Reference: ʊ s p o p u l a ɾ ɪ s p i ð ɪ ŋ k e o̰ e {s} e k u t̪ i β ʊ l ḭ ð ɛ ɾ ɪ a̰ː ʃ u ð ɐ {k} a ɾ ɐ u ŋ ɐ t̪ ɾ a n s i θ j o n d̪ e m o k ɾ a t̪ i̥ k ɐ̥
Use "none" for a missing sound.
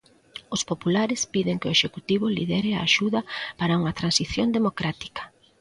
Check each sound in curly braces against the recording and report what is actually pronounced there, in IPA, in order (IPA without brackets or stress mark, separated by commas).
ʃ, p